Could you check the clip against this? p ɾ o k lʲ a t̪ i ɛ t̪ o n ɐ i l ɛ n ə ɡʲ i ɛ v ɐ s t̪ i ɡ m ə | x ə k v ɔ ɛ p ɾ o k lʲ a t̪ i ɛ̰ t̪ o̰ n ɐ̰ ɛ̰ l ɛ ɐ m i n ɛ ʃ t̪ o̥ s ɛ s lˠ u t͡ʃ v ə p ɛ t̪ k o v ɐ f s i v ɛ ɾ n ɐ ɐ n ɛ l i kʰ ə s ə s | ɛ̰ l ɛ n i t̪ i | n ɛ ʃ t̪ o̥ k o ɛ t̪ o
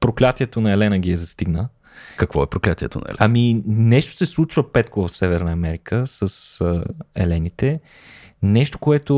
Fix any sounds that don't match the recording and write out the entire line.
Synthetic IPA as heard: p ɾ o k lʲ a t̪ i ɛ t̪ o n ɐ ɛ l ɛ n ə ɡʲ i ɛ z ɐ s t̪ i ɡ n ə | k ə k v ɔ ɛ p ɾ o k lʲ a t̪ i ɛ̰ t̪ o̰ n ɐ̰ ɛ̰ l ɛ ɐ m i n ɛ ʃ t̪ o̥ s ɛ s lˠ u t͡ʃ v ə p ɛ t̪ k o v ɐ f s ɛ v ɛ ɾ n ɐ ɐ m ɛ ɾ i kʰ ə s ə s | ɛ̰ l ɛ n i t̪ ɛ | n ɛ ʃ t̪ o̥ k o ɛ t̪ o